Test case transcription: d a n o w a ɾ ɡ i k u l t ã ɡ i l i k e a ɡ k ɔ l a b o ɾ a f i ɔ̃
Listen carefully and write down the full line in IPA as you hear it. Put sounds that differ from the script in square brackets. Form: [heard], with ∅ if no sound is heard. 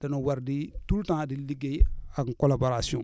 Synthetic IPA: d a n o w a ɾ [d] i [t] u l t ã [d] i l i [ɡ] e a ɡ k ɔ l a b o ɾ a [s] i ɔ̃